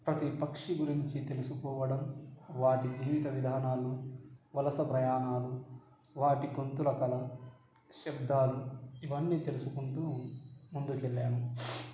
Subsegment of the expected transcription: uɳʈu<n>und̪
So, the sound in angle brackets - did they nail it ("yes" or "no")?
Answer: no